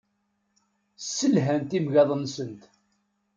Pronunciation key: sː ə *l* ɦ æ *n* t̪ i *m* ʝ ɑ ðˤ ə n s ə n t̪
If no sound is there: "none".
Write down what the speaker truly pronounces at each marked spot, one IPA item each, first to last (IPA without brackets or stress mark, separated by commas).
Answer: l, n, m